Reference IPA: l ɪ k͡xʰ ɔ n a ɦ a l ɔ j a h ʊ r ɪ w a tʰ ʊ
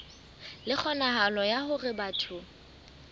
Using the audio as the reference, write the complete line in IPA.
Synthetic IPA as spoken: l ɪ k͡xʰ ɔ n a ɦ a l ɔ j a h ʊ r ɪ b a tʰ ʊ